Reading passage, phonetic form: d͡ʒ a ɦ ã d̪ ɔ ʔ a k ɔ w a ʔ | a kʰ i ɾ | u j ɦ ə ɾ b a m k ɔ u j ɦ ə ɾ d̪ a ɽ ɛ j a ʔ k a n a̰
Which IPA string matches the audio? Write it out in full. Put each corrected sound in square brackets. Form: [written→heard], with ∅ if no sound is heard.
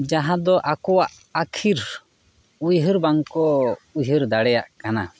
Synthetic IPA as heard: d͡ʒ a ɦ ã d̪ ɔ ʔ a k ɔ w a ʔ | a kʰ i ɾ | u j ɦ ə ɾ b a [m→ŋ] k ɔ u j ɦ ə ɾ d̪ a ɽ ɛ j a ʔ k a n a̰